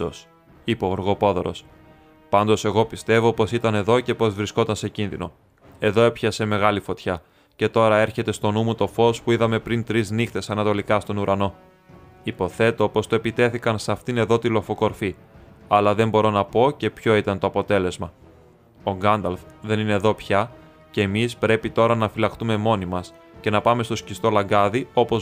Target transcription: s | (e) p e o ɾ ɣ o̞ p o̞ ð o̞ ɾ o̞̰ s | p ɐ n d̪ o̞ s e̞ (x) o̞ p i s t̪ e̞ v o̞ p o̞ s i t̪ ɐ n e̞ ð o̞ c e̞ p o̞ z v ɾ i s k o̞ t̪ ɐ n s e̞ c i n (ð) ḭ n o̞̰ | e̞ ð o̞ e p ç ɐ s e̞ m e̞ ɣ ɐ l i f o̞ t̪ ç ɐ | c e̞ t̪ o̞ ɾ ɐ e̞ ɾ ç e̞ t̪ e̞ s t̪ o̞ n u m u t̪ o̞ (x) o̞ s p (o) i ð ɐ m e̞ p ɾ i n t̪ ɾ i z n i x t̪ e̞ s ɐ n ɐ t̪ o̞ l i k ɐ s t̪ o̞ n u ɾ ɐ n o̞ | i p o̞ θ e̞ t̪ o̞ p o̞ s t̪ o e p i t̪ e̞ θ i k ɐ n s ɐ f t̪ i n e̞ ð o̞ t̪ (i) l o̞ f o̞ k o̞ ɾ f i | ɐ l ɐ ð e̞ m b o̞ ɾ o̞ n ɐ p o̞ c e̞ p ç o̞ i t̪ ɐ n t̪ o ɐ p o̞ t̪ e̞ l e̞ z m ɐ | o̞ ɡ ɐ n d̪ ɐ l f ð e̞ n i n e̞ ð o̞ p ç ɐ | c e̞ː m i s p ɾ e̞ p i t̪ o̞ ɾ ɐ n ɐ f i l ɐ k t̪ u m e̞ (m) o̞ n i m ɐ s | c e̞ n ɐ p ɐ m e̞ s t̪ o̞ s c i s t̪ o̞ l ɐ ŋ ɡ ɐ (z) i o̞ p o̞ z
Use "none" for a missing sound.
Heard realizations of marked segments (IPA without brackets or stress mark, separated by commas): i, ɣ, ð, f, u, i, m, ð